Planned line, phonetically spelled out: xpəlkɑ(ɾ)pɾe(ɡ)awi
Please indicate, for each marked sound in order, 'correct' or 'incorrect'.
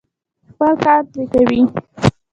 correct, incorrect: k

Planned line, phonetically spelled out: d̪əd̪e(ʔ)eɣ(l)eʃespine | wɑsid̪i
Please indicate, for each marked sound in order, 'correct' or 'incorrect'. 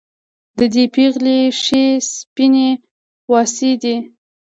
incorrect: p, correct

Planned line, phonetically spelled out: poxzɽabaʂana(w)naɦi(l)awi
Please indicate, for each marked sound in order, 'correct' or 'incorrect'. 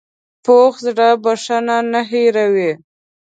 incorrect: none, incorrect: ɾ

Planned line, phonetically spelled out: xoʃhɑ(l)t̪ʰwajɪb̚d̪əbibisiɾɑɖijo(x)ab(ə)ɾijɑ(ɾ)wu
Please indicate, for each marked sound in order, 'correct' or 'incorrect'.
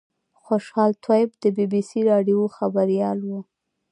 correct, correct, incorrect: a, incorrect: l

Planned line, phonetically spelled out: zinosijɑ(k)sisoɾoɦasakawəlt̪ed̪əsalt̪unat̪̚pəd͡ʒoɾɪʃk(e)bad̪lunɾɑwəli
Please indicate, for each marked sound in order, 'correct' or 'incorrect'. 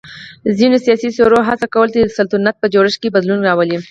incorrect: none, correct

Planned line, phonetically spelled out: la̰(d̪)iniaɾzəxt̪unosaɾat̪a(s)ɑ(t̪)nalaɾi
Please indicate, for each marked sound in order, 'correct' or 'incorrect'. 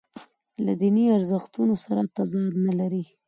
correct, incorrect: z, incorrect: d̪

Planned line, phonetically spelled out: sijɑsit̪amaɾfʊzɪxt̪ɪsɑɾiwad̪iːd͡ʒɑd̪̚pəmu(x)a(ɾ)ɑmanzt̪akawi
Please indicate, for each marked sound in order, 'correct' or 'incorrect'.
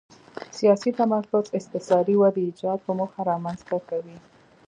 correct, correct

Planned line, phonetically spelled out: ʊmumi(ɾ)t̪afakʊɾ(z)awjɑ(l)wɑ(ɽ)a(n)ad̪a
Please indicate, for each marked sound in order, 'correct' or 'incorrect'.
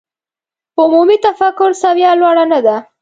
incorrect: none, incorrect: s, correct, correct, correct

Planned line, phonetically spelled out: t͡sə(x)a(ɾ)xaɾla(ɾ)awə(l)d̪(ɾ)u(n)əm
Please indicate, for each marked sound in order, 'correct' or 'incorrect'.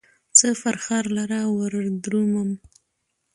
incorrect: f, correct, correct, incorrect: ɾ, correct, incorrect: m

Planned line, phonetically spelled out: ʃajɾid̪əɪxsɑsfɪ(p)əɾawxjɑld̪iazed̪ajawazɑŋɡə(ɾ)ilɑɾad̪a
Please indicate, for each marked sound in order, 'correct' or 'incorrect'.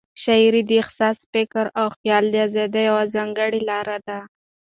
incorrect: k, incorrect: ɽ

